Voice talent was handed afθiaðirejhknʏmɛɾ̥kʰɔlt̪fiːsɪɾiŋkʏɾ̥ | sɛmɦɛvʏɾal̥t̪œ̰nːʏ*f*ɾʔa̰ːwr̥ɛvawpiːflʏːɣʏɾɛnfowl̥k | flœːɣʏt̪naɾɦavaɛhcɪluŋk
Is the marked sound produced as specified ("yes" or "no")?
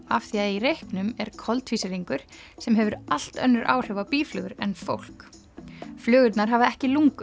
no